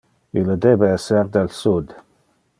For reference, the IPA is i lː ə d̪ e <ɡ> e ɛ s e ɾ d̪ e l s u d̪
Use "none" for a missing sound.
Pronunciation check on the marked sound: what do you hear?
b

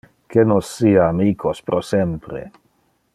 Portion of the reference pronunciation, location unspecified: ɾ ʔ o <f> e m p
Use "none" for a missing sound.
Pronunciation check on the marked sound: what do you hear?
s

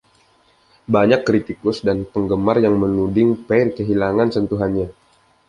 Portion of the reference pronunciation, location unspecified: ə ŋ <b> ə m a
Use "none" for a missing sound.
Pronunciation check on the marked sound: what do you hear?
ɡ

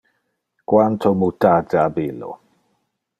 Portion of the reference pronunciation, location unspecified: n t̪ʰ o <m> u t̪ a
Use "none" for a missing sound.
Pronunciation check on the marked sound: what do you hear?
m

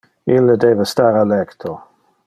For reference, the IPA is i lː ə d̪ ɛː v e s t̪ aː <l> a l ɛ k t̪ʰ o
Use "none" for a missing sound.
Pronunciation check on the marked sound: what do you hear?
ɾ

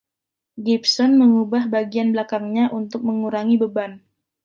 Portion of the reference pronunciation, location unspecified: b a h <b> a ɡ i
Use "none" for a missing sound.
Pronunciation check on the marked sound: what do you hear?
b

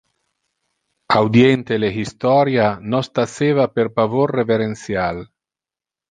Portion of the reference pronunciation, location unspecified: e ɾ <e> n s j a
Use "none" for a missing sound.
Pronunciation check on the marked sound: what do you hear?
e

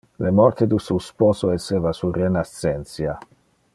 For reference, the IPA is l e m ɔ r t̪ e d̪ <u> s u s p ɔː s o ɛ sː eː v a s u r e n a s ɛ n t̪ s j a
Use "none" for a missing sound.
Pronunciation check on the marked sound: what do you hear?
u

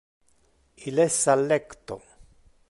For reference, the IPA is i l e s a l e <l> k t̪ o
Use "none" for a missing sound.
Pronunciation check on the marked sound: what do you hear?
none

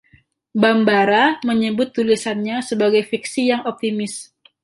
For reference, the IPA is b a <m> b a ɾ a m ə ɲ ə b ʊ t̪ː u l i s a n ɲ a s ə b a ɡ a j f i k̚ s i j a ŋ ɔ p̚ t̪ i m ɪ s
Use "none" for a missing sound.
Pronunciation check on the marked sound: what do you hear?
m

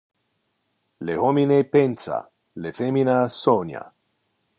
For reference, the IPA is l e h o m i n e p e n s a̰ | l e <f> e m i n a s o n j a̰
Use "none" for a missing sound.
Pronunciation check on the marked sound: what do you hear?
f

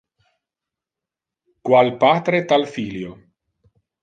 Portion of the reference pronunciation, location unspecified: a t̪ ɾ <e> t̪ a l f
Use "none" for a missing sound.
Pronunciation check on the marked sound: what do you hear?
e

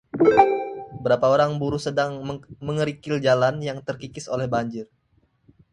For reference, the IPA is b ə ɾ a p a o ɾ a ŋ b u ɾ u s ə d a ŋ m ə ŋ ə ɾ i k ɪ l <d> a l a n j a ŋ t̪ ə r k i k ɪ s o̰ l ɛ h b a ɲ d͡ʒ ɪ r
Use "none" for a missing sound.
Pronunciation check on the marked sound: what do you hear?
d͡ʒ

